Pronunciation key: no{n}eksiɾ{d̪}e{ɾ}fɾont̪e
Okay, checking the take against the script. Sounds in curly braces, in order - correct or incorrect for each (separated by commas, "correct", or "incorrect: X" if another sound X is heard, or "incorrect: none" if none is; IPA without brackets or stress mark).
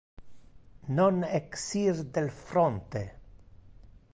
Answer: correct, correct, incorrect: l